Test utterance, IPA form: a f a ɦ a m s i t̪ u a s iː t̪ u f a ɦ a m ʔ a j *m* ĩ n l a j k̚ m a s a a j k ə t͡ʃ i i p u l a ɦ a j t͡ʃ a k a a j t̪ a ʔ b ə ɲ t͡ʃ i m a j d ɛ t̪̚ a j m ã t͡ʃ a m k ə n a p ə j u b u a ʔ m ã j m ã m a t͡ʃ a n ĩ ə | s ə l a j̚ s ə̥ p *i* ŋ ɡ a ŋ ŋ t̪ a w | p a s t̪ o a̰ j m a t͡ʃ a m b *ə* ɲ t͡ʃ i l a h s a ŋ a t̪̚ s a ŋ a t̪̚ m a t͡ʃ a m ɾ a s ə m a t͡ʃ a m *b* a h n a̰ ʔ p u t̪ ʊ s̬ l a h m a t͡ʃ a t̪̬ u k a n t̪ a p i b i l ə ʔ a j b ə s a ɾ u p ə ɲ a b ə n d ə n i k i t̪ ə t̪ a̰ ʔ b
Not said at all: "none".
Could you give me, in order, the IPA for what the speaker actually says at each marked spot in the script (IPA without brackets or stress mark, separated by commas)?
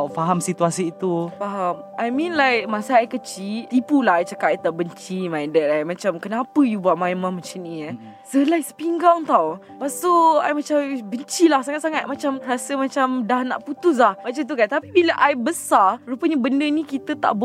m, i, ə, d